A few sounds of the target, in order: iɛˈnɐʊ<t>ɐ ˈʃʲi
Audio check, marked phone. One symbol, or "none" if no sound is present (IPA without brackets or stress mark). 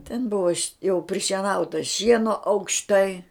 t